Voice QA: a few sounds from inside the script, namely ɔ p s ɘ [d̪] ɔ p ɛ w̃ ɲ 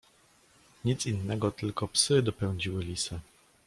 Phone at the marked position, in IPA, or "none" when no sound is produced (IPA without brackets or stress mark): d̪